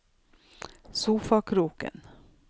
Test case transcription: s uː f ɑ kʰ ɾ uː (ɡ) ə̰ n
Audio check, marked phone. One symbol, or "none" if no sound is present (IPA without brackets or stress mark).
k